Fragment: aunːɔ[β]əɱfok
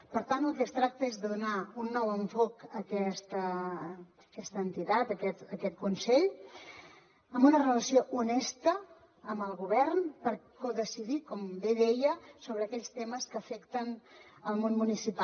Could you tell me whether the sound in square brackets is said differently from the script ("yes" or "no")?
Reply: yes